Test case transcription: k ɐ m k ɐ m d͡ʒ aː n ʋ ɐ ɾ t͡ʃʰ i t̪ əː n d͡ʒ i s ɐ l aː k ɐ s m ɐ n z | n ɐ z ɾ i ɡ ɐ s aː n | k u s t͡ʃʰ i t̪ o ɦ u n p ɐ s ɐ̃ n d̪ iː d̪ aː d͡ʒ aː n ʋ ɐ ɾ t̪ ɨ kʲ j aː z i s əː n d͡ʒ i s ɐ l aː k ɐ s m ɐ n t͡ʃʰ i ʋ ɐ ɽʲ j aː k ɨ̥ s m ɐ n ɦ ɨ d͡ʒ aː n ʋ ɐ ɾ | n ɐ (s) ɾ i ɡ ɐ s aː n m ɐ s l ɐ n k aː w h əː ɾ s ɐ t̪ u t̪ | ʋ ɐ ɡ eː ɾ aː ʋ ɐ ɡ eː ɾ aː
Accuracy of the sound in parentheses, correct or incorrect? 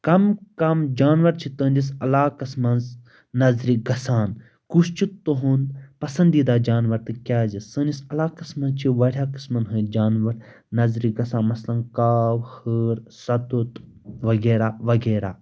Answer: incorrect